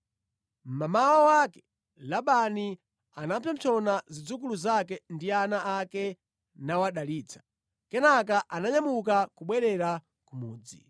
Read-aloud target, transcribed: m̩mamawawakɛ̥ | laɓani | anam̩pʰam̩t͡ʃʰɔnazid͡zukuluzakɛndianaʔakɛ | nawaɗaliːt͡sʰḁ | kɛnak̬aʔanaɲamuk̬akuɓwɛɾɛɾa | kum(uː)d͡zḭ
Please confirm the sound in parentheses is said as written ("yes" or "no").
yes